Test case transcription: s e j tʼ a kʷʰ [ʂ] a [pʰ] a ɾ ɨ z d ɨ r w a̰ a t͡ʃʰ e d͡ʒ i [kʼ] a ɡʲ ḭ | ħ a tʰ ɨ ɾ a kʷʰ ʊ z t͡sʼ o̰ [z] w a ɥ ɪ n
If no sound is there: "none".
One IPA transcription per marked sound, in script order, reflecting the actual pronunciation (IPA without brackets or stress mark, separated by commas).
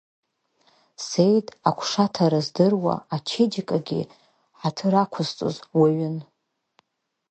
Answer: ʂ, tʰ, kʼ, z